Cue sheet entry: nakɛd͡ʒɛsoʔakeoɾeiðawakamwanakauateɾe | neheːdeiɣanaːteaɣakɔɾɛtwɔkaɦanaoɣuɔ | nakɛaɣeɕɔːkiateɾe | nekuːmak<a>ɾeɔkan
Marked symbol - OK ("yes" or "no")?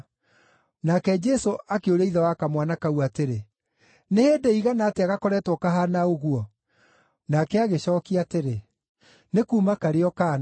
yes